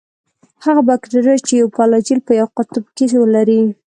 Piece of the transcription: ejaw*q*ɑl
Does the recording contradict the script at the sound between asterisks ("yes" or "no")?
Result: yes